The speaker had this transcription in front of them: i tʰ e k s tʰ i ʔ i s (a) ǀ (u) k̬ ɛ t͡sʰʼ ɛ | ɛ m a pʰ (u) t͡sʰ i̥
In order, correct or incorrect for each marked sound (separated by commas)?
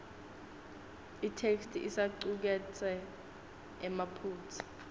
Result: correct, correct, incorrect